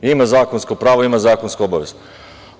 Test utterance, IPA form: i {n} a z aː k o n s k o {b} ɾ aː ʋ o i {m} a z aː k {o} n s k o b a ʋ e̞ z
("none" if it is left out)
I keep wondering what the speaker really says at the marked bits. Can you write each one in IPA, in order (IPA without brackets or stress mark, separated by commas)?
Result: m, p, m, o